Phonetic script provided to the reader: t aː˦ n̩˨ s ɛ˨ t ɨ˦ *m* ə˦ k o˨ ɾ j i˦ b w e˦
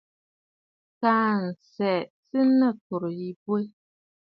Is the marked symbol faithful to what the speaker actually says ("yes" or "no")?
no